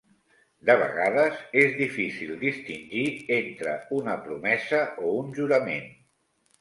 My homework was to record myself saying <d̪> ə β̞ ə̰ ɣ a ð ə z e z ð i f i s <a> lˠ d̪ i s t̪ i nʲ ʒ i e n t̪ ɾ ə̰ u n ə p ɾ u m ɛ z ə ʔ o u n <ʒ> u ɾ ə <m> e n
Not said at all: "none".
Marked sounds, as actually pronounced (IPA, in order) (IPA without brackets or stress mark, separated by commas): d̪, i, ʒ, m